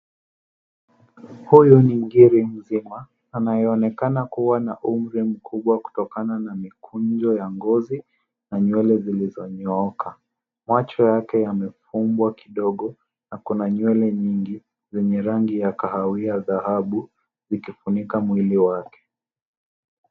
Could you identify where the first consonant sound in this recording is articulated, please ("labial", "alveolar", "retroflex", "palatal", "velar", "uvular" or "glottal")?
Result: glottal